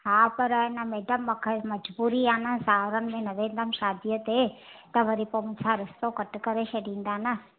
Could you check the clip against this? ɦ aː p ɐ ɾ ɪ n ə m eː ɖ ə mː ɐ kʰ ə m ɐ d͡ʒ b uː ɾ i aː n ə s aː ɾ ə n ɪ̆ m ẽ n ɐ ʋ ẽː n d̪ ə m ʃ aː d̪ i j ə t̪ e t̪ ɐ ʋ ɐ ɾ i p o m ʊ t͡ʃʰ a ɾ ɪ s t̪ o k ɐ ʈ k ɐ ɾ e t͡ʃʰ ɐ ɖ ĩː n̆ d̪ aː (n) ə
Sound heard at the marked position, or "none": n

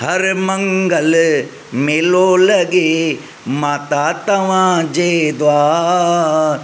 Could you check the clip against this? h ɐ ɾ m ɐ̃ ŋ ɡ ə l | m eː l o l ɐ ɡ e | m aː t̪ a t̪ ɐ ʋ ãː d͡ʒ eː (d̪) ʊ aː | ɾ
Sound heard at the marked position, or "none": d̪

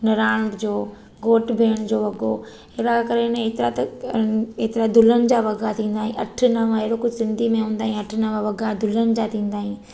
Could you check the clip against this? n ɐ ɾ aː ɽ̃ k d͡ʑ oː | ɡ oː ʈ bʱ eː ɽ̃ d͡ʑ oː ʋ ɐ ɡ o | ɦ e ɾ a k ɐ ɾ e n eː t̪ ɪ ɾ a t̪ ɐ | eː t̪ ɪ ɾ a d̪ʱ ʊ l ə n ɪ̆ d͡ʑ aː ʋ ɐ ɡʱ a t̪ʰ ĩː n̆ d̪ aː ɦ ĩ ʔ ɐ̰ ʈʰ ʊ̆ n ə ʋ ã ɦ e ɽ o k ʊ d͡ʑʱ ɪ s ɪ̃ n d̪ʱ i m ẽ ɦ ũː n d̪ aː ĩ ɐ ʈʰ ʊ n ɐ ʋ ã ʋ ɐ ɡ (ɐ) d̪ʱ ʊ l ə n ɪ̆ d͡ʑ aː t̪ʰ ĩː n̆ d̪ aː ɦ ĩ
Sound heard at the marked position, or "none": a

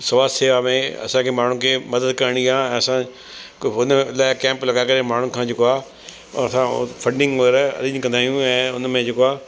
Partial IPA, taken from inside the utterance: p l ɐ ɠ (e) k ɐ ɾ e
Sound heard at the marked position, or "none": a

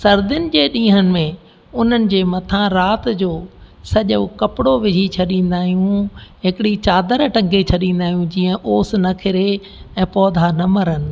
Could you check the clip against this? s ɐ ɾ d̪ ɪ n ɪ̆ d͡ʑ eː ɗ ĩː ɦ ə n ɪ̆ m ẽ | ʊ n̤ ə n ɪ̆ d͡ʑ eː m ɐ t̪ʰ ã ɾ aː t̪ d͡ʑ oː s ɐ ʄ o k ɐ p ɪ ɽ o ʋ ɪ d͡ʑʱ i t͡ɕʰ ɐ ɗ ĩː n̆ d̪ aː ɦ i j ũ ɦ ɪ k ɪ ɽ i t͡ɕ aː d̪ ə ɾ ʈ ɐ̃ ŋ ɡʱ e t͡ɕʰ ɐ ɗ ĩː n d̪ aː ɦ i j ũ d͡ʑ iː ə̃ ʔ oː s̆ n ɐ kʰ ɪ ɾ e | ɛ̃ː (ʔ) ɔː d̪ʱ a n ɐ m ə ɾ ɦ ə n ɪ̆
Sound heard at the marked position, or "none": p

